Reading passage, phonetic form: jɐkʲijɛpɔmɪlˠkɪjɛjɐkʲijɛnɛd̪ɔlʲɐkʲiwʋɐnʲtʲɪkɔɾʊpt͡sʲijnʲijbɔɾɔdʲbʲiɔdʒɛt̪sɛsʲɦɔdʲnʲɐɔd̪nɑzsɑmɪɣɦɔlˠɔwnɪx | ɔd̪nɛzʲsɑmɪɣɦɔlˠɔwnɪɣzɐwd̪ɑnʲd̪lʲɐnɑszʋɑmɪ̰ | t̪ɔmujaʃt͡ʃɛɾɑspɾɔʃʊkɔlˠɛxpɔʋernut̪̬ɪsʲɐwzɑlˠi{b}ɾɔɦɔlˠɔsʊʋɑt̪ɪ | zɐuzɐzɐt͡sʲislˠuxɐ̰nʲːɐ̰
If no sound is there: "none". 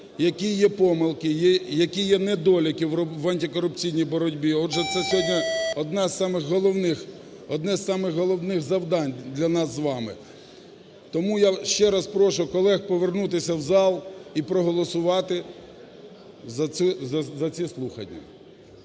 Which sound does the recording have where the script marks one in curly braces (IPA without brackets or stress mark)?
p